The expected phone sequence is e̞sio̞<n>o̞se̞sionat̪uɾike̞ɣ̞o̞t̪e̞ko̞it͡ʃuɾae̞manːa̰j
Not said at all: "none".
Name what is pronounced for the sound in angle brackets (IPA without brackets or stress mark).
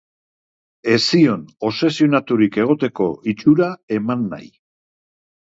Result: n